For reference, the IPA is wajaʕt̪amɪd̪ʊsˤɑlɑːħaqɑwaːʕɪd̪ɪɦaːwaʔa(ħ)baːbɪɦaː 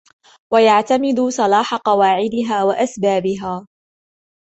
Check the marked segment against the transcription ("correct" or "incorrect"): incorrect